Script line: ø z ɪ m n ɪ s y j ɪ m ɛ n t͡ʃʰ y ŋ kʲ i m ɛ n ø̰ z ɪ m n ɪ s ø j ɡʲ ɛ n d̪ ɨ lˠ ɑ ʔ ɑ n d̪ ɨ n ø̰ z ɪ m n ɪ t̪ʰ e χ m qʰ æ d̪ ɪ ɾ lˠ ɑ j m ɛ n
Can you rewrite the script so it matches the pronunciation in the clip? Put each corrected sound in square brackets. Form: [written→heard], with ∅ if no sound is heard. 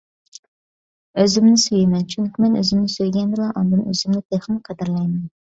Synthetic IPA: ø z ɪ m n ɪ s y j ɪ m ɛ n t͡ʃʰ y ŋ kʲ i m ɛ n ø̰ z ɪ m n ɪ s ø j ɡʲ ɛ n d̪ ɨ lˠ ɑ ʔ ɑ n d̪ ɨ n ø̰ z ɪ m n ɪ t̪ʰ e χ m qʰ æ d̪ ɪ ɾ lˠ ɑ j m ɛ n